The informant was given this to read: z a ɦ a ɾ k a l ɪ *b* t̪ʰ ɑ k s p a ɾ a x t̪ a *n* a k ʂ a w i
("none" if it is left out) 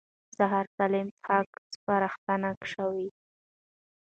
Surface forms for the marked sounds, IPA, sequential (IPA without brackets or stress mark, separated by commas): m, n